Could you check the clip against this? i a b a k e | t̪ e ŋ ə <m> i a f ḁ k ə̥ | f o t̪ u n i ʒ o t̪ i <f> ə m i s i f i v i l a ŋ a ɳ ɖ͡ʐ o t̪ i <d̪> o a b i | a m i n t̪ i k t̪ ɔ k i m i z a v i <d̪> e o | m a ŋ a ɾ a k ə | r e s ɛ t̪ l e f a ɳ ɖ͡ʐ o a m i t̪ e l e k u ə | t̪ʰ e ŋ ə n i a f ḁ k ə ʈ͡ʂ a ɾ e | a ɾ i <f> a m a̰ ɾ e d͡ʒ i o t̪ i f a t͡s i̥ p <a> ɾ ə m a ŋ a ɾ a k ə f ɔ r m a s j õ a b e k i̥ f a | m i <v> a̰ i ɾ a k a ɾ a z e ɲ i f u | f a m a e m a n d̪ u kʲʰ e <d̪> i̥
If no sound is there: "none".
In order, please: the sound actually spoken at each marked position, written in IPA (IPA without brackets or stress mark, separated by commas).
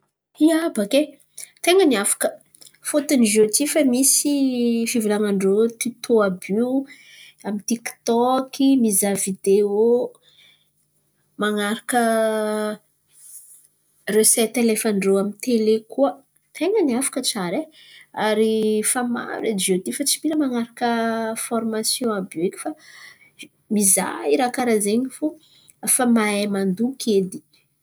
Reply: n, f, t̪, d̪, f, i, z, d̪